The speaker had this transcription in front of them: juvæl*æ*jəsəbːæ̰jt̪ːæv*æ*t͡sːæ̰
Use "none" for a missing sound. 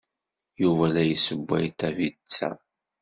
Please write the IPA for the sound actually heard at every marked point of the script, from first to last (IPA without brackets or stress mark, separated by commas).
æ, i